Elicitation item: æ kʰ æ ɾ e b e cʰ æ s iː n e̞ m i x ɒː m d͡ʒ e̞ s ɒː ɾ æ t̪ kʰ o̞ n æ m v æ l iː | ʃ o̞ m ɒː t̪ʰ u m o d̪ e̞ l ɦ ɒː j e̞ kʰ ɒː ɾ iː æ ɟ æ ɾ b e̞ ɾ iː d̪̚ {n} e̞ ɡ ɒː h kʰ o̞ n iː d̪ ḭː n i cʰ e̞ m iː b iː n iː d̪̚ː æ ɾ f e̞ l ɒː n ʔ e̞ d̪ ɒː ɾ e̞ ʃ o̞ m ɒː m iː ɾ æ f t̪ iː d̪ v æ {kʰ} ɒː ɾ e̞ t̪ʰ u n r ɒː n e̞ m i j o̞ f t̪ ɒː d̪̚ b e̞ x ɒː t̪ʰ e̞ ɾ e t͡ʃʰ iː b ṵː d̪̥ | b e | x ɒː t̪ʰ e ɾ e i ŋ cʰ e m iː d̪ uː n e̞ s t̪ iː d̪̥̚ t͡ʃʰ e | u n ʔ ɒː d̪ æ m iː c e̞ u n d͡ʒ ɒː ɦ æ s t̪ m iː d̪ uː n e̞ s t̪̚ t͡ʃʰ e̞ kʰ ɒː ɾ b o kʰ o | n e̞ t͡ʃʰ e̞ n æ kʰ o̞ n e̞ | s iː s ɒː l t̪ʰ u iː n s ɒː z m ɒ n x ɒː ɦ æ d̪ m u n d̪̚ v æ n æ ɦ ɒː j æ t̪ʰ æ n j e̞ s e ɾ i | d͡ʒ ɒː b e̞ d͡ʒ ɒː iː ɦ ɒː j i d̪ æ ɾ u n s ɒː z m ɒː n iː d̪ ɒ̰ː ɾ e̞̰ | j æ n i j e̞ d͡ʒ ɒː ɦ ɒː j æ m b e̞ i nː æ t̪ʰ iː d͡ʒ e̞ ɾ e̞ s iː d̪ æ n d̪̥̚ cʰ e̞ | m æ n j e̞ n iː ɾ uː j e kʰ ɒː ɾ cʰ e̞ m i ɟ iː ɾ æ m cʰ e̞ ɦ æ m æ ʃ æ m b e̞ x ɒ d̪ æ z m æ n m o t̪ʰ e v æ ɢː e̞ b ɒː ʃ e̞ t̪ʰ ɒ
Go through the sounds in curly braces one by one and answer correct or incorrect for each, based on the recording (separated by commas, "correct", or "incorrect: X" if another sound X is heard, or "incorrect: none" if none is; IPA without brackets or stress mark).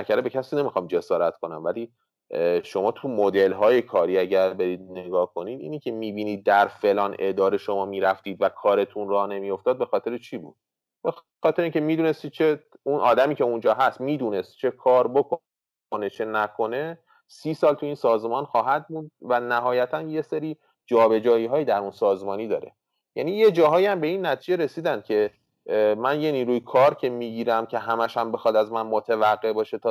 correct, correct